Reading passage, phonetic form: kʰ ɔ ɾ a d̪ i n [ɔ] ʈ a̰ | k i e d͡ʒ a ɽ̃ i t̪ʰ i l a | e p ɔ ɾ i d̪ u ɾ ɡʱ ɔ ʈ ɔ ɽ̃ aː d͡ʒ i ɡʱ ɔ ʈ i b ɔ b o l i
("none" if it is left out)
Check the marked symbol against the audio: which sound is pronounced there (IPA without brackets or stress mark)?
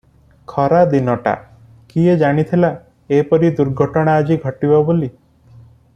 ɔ